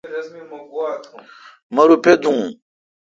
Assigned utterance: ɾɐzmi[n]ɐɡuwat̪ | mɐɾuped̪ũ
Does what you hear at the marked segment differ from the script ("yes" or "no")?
yes